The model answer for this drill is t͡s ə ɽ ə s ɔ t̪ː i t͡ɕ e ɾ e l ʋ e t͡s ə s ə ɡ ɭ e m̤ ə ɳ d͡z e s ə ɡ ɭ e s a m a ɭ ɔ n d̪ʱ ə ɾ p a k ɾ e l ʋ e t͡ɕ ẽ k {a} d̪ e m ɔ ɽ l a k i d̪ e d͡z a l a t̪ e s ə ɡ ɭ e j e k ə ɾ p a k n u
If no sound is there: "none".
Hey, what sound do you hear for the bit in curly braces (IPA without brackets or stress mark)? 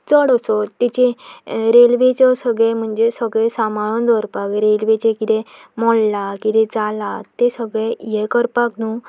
i